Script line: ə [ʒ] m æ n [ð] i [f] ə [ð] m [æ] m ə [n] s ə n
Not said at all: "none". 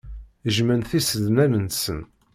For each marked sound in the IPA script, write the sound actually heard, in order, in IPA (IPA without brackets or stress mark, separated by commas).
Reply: ʒ, θ, s, ð, æ, n